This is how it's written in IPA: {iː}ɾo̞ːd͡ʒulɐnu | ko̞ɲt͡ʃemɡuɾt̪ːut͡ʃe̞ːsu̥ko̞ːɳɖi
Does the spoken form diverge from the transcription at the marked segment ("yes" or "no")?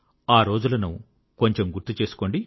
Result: yes